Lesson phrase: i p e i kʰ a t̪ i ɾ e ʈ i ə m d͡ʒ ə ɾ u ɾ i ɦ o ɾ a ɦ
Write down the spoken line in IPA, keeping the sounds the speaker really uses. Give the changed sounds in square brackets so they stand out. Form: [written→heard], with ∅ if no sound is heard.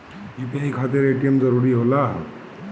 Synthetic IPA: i p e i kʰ a t̪ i ɾ e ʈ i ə m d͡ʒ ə ɾ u ɾ i ɦ o [ɾ→l] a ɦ